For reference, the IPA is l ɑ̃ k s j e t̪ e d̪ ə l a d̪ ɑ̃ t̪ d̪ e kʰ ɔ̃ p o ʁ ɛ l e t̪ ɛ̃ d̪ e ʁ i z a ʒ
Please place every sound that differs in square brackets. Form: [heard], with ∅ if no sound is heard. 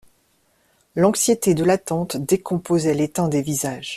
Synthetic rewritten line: l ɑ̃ k s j e t̪ e d̪ ə l a [t̪] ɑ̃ t̪ d̪ e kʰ ɔ̃ p o [z] ɛ l e t̪ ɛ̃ d̪ e [v] i z a ʒ